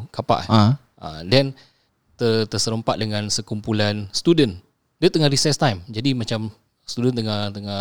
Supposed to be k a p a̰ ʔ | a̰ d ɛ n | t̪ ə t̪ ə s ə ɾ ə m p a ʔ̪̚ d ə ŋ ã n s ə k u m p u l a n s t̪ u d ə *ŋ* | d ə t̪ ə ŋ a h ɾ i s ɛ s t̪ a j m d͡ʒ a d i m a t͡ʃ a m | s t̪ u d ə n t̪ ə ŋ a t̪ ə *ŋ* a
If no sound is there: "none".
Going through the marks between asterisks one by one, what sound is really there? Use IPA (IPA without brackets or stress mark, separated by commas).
n, ŋ